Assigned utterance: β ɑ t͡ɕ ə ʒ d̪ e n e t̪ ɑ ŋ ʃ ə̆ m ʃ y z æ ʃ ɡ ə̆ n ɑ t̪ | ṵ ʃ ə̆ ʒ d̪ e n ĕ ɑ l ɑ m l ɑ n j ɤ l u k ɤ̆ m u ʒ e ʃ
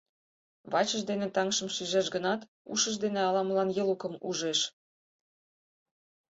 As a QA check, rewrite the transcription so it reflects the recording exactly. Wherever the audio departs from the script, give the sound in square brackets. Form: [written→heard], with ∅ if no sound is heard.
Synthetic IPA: β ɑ t͡ɕ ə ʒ d̪ e n e t̪ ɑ ŋ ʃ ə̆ m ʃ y [z→ʒ] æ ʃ ɡ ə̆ n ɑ t̪ | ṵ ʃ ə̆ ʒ d̪ e n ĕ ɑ l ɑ m l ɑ n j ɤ l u k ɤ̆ m u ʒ e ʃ